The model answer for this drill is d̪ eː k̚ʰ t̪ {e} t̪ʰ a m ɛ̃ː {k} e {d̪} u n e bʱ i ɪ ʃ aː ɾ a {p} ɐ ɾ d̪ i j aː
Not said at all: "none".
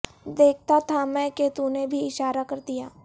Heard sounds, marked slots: a, k, t̪, k

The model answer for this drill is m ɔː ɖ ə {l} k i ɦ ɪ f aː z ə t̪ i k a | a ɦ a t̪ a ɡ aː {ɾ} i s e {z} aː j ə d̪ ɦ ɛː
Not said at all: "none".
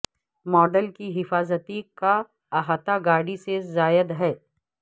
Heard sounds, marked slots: l, ɽ, z

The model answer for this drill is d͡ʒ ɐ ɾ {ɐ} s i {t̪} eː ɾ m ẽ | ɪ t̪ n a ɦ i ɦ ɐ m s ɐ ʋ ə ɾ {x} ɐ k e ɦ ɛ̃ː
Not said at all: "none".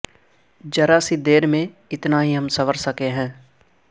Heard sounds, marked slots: a, d̪, s

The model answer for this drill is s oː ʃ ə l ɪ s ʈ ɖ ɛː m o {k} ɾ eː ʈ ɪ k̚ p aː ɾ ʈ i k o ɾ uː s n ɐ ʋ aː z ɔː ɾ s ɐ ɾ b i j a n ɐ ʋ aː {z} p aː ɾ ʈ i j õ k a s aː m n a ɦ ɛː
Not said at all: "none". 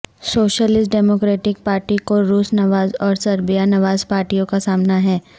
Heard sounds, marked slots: k, z

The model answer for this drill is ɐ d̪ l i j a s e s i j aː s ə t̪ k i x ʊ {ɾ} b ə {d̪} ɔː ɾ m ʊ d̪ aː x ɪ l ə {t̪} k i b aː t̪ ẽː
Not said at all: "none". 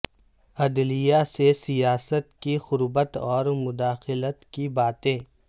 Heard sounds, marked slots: ɾ, t̪, t̪

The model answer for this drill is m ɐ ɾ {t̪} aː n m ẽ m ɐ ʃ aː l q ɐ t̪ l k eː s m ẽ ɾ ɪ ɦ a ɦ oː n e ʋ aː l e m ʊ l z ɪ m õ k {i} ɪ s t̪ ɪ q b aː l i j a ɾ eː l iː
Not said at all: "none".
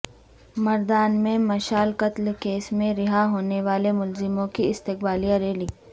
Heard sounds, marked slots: d̪, i

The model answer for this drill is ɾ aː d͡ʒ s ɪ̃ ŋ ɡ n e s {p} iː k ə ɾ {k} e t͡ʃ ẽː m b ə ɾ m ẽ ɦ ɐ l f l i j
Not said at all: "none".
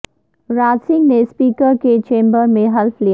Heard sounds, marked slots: p, k

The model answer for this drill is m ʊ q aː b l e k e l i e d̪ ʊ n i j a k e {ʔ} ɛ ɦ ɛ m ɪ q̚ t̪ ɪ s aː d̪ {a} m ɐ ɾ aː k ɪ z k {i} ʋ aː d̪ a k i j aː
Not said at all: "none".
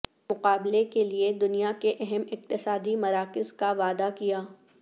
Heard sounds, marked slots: ʔ, i, a

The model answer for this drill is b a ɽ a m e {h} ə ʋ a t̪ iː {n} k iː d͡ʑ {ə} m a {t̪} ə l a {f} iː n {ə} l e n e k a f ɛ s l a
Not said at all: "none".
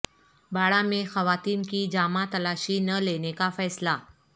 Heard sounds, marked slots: x, n, a, t̪, ɕ, ə

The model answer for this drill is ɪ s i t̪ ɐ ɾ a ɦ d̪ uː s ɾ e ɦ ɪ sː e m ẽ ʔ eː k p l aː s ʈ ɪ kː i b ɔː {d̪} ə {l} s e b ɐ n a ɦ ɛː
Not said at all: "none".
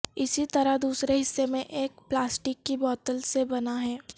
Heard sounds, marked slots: t̪, l

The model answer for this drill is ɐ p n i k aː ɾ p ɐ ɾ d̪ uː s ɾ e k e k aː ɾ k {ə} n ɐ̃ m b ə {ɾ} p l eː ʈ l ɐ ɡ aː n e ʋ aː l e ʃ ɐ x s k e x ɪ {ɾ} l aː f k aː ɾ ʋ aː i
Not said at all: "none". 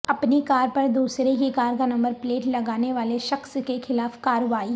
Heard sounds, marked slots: a, ɾ, none

